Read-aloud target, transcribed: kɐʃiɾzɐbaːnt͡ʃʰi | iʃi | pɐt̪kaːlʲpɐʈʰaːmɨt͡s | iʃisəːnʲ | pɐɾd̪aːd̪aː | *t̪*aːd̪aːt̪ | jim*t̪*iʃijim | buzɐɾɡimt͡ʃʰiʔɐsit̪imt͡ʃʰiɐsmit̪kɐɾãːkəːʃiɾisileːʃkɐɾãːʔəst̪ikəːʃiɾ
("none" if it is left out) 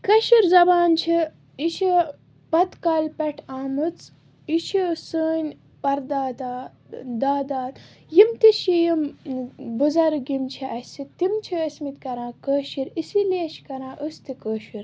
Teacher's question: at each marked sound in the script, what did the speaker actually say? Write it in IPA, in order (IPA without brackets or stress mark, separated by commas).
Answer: d̪, t̪